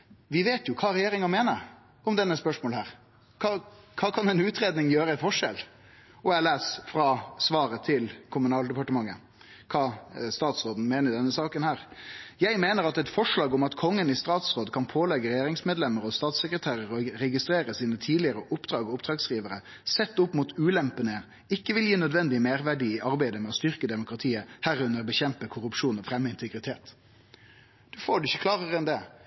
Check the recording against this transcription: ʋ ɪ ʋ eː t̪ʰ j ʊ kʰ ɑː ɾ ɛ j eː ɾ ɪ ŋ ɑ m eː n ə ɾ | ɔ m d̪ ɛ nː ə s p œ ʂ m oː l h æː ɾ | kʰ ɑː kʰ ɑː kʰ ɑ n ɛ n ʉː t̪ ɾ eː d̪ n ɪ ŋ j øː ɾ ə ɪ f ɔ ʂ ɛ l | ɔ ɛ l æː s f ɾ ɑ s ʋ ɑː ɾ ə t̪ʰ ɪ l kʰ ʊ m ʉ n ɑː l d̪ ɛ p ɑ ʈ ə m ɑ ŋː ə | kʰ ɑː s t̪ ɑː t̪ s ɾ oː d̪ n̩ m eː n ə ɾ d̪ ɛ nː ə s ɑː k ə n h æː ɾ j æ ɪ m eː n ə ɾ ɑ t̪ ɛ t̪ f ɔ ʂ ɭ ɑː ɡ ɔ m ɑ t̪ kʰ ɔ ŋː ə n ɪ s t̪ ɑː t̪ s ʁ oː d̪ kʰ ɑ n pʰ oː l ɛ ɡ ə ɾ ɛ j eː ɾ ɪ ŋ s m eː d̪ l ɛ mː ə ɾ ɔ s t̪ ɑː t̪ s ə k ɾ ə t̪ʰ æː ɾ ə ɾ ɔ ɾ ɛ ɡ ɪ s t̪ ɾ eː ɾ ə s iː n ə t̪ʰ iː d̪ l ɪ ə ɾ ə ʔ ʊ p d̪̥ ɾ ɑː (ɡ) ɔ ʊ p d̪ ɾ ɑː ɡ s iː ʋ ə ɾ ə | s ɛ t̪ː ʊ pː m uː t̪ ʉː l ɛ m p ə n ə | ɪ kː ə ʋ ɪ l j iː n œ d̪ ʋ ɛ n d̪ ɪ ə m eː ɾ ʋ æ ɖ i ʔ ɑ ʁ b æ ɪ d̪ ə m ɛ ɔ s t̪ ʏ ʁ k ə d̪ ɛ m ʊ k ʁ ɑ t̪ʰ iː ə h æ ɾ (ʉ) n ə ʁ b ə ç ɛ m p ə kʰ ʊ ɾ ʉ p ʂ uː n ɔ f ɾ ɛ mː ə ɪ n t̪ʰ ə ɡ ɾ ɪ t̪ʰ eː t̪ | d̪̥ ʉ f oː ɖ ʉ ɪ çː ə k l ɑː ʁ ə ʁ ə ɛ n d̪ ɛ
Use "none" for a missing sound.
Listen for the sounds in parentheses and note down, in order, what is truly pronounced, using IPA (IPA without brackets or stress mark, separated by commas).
ɡ, ʉ